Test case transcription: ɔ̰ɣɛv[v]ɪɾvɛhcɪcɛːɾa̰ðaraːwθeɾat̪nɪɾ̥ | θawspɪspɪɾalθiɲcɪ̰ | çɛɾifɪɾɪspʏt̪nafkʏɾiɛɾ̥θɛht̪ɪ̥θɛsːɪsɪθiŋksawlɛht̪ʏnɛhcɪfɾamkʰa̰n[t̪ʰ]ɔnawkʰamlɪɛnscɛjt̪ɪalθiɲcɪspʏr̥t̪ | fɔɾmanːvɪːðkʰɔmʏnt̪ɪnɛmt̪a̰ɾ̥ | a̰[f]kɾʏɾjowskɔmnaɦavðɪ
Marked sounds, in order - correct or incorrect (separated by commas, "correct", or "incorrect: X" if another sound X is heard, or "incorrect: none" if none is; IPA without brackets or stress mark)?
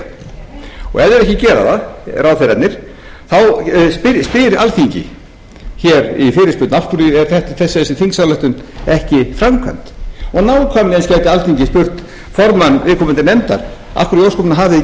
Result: incorrect: ð, incorrect: t̪, correct